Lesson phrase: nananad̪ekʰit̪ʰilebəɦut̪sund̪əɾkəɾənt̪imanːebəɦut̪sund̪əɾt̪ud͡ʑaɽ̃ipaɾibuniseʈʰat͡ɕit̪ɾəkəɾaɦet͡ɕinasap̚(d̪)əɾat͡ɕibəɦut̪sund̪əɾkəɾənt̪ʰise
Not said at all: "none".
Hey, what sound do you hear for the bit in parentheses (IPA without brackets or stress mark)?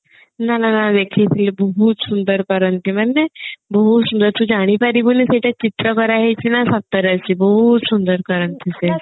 t̪